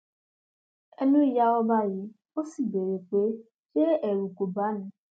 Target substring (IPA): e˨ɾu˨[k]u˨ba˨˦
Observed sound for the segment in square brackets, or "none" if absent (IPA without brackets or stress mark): k